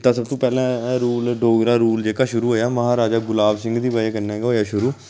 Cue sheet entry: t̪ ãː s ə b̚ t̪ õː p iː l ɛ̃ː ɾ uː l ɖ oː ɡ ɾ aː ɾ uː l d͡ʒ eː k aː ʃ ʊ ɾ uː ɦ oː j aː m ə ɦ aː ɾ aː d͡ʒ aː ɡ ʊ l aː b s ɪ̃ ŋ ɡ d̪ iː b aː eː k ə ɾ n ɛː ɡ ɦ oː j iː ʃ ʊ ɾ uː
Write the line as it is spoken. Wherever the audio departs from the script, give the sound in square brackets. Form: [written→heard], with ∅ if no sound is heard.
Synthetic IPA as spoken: t̪ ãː s ə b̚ t̪ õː p [iː→ɛː] l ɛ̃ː ɾ uː l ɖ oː ɡ ɾ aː ɾ uː l d͡ʒ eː k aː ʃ ʊ ɾ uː ɦ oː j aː m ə ɦ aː ɾ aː d͡ʒ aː ɡ ʊ l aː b s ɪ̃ ŋ ɡ d̪ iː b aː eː k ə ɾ n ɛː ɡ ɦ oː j [iː→aː] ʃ ʊ ɾ uː